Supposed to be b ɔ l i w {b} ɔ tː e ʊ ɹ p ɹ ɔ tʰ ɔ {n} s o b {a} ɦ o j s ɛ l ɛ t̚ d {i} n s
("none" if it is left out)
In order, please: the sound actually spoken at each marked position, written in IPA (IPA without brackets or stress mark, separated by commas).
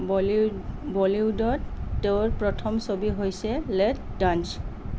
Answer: d, m, i, a